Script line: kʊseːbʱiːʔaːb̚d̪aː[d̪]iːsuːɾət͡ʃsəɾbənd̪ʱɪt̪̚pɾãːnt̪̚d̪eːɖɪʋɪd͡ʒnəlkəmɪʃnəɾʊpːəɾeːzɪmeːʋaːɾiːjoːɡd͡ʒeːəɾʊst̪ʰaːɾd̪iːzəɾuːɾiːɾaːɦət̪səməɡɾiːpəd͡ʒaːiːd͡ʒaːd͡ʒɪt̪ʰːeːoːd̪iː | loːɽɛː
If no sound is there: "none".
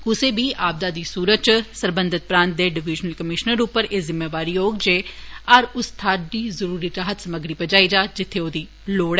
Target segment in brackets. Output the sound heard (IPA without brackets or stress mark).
d̪